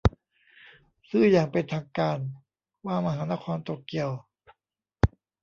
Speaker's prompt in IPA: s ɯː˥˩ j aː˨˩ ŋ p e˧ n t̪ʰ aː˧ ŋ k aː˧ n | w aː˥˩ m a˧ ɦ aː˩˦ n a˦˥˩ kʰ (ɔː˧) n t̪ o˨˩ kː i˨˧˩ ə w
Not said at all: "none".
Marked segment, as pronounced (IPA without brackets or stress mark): ɔː˧